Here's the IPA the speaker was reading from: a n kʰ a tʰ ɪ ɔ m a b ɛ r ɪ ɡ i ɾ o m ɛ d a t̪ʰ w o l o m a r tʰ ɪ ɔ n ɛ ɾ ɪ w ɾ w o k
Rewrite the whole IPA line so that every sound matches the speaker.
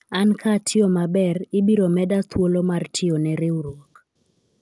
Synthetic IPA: a n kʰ a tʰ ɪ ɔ m a b ɛ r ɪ b i ɾ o m ɛ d a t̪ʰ w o l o m a r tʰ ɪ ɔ n ɛ ɾ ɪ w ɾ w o k